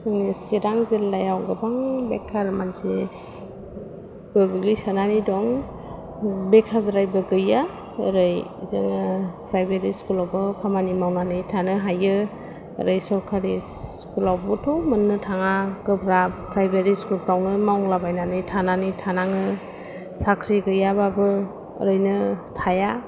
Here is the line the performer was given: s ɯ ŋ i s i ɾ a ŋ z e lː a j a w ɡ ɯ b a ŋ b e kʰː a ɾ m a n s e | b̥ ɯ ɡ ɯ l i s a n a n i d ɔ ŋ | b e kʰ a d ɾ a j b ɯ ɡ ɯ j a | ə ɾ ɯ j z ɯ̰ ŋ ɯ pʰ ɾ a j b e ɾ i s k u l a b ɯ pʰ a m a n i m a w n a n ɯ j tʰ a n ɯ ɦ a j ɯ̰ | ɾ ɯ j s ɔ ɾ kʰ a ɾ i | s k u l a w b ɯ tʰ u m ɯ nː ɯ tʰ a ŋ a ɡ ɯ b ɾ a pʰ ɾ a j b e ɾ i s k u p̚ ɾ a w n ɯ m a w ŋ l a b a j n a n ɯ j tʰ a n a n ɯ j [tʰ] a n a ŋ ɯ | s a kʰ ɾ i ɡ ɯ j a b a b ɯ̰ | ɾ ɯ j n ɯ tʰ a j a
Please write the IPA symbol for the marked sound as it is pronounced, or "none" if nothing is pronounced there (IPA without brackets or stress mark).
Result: tʰ